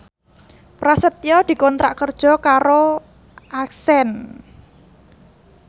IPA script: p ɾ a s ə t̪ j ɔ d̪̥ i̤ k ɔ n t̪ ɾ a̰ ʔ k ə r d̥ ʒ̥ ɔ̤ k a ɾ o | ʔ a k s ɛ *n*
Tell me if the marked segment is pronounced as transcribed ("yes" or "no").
yes